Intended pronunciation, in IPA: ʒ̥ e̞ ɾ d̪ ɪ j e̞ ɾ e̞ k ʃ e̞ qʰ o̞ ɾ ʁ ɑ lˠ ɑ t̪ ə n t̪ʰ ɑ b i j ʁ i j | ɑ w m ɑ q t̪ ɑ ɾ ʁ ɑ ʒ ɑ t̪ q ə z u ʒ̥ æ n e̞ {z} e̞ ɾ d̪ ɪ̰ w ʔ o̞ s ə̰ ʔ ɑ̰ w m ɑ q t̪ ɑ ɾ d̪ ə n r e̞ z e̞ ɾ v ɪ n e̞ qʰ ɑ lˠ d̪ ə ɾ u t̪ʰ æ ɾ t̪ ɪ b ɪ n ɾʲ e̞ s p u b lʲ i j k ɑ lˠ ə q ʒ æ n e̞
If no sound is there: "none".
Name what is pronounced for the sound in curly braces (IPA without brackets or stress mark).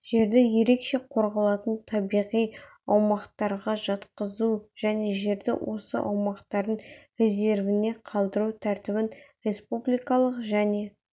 ʒ